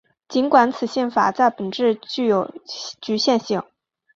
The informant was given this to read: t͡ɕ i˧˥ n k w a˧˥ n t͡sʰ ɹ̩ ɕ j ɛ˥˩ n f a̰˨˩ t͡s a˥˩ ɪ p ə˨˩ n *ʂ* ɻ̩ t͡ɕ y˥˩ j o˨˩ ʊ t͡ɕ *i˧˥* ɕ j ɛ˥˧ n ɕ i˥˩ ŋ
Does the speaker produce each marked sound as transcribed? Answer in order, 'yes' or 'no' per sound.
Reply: no, no

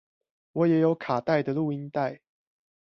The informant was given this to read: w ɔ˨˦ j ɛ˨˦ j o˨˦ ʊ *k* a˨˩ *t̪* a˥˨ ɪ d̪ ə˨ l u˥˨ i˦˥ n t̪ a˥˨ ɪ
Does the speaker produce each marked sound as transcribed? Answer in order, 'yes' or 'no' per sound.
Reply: no, yes

